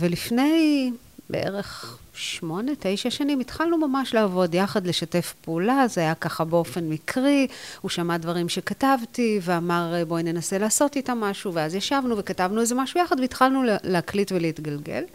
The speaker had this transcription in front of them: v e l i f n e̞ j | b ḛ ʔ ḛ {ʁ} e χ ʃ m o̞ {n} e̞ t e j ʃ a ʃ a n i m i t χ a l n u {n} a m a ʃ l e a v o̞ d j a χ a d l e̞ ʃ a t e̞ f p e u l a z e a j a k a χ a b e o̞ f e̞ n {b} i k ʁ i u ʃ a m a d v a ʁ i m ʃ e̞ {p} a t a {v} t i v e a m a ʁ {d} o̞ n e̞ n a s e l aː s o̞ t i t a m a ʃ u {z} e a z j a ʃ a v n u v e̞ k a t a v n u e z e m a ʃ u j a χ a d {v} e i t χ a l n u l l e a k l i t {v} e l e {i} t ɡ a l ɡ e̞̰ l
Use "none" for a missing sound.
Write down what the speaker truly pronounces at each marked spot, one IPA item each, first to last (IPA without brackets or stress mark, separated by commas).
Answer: ʁ, n, m, m, k, v, b, v, v, v, i